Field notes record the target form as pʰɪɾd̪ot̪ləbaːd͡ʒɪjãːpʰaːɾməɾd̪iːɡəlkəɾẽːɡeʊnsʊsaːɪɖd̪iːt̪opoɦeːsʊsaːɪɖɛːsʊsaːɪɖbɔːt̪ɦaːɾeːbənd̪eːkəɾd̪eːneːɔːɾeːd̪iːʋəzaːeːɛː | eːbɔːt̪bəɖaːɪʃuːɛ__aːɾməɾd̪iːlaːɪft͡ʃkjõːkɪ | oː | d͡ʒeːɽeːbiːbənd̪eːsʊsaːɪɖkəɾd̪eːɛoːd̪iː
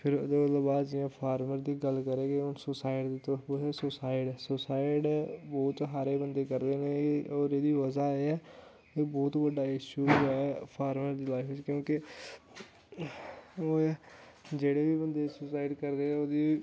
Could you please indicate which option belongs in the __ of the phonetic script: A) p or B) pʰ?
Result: B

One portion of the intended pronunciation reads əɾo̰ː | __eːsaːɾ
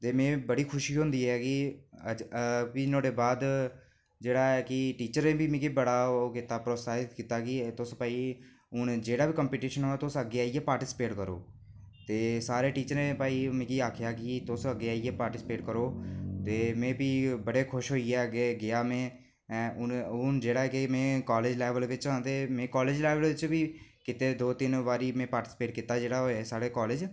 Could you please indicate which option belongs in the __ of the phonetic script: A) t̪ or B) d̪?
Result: A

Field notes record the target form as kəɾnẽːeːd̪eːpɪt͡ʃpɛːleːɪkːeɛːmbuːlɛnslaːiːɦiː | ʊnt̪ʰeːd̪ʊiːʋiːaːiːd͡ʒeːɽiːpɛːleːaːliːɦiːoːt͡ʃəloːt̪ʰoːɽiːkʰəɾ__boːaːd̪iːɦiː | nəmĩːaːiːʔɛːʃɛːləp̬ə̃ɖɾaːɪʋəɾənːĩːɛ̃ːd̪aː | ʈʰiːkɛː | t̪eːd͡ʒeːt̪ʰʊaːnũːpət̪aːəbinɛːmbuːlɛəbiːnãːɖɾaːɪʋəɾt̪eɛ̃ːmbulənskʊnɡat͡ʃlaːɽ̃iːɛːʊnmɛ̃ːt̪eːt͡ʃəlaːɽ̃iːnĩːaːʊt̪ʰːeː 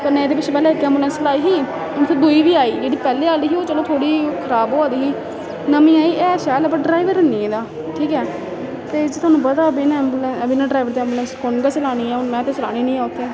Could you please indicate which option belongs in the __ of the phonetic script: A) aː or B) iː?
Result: A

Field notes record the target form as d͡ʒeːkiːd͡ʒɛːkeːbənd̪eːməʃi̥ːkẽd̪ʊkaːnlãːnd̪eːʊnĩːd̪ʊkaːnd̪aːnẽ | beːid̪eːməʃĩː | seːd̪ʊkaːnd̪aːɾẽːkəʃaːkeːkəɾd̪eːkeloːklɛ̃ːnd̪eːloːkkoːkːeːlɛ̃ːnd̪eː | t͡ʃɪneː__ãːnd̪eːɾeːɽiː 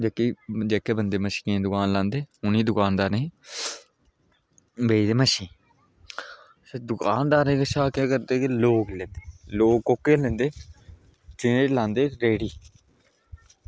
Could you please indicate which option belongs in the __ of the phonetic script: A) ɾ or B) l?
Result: B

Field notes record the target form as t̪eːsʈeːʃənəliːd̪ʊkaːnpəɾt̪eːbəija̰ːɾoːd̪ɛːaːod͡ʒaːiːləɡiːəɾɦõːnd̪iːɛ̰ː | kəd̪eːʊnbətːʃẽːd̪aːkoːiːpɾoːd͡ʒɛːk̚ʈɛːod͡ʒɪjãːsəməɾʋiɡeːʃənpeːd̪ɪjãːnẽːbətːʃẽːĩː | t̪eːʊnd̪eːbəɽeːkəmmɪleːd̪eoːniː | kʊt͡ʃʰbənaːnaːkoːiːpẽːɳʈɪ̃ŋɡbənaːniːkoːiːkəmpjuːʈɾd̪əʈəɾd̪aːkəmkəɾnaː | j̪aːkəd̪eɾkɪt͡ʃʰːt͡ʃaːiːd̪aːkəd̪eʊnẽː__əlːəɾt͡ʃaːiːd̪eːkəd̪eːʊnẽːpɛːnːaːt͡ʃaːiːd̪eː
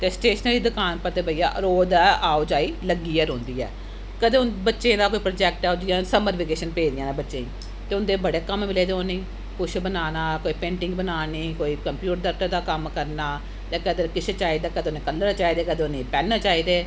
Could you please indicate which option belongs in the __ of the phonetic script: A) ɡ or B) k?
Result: B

